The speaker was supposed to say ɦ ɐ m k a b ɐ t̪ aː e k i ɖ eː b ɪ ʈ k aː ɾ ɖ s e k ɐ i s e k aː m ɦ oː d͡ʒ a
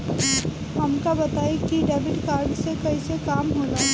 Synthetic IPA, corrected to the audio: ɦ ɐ m k a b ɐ t̪ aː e k i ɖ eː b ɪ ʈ k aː ɾ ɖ s e k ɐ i s e k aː m ɦ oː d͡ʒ a